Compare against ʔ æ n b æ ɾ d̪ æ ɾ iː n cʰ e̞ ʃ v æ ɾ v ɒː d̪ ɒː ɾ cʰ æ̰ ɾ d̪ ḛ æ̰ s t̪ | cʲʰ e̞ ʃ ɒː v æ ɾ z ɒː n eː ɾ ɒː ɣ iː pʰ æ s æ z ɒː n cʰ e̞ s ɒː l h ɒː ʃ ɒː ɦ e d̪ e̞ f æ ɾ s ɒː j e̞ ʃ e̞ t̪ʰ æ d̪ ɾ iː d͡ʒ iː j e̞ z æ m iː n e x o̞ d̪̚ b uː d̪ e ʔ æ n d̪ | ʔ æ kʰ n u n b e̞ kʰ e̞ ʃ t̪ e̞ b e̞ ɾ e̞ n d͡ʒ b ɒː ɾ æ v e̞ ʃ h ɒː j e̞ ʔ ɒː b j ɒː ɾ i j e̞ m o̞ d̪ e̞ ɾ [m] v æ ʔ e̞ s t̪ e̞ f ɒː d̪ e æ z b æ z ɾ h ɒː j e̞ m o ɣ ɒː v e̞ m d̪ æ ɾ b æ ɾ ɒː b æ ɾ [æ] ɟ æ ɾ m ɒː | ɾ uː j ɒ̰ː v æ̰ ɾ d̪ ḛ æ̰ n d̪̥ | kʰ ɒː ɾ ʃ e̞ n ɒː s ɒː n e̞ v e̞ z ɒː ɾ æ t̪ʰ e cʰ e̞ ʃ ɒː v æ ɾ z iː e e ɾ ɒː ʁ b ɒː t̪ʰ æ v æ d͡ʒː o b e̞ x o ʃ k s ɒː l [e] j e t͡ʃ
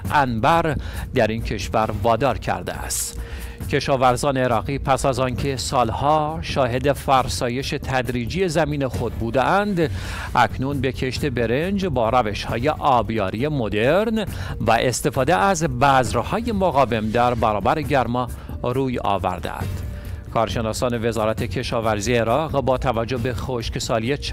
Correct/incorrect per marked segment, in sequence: incorrect: n, incorrect: e, incorrect: i

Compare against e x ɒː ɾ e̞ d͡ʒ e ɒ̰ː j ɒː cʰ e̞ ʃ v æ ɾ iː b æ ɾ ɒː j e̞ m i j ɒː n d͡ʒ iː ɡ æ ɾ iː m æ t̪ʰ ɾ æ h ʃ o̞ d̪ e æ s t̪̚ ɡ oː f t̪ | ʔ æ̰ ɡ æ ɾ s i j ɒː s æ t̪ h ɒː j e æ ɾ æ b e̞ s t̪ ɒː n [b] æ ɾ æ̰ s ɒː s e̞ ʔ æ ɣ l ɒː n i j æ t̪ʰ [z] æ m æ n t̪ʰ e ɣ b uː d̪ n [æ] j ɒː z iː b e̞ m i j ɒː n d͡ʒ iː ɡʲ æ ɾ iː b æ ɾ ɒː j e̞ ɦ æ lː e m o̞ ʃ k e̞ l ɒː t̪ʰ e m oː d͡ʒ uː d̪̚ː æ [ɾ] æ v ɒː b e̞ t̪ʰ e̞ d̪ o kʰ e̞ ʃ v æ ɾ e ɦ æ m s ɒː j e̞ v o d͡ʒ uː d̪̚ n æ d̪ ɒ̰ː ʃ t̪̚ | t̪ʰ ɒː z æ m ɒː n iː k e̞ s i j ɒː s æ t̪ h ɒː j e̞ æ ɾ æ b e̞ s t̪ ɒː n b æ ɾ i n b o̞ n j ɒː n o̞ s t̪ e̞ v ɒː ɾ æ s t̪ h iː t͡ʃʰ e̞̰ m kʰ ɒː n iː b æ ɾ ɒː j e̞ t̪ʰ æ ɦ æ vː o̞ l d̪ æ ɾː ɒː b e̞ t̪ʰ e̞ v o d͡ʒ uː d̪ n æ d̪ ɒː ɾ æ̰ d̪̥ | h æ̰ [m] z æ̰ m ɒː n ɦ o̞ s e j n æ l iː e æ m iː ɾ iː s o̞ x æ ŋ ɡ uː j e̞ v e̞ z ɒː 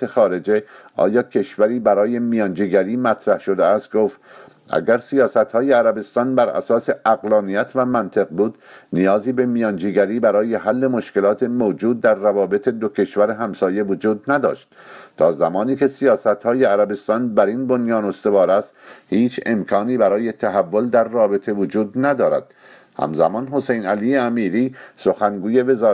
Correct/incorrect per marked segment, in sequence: correct, incorrect: v, incorrect: i, incorrect: ɾː, correct

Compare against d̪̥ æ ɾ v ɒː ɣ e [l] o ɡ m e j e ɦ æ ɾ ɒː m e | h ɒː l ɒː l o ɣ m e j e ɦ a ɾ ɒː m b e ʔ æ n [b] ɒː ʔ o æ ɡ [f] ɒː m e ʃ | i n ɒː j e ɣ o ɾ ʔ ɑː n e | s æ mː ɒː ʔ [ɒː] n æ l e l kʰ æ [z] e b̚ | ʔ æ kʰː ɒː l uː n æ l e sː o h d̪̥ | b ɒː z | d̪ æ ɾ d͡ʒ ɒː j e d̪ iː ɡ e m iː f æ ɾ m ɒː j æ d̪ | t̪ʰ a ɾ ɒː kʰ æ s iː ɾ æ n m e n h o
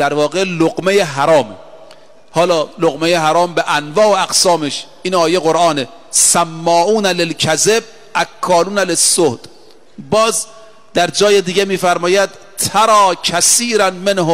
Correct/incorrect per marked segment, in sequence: correct, incorrect: v, incorrect: s, incorrect: uː, correct

